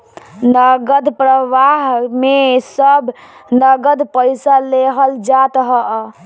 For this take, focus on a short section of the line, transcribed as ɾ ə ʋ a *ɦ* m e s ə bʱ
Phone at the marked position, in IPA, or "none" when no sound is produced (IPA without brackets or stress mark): ɦ